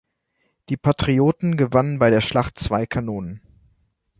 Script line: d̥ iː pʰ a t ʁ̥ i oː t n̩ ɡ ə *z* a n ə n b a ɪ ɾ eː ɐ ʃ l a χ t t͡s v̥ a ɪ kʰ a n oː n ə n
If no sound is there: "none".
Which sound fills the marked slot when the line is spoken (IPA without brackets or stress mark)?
v